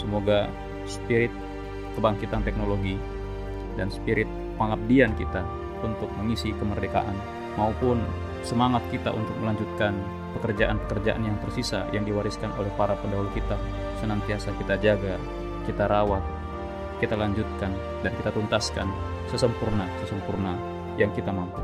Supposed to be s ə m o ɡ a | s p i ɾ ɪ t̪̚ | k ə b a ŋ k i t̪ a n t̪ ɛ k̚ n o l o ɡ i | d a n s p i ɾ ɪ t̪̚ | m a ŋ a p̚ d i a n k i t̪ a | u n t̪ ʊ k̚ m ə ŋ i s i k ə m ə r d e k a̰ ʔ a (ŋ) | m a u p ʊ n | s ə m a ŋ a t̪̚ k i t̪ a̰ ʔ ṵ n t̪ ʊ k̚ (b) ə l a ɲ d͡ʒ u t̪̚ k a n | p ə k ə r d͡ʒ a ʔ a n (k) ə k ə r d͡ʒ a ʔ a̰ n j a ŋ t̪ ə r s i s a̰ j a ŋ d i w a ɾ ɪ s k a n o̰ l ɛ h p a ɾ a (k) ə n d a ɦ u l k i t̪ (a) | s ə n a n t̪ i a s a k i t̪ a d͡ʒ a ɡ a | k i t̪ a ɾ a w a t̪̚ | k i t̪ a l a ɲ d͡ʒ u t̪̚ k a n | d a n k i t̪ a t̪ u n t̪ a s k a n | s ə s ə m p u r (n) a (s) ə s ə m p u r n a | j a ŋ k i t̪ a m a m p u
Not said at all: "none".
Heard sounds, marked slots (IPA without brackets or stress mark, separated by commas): n, m, p, p, a, n, s